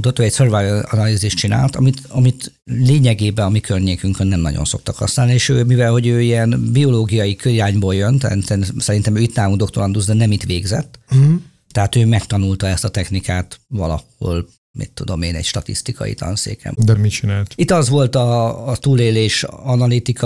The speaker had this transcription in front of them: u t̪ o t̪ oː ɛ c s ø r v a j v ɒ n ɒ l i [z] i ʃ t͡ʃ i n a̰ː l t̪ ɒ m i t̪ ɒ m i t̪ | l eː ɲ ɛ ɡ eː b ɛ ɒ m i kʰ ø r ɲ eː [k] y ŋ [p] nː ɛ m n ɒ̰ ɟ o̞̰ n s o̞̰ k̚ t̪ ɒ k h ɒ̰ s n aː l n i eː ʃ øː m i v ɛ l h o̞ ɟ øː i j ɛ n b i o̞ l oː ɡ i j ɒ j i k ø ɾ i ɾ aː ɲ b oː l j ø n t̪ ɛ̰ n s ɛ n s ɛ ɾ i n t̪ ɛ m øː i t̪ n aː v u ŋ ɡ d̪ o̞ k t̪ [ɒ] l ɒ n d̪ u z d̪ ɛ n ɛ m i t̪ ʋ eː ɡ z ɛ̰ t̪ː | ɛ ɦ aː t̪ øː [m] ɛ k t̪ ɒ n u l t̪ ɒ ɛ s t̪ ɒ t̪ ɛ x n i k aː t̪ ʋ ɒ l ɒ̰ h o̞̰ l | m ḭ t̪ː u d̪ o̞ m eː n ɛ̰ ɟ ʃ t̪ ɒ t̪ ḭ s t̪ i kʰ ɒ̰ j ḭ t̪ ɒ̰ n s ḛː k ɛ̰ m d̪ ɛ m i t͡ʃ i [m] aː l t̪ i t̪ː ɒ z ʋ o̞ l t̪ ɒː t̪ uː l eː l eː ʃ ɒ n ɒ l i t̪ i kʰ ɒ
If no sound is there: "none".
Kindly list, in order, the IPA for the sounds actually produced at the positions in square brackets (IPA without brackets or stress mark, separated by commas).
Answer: z, k, k, o, m, n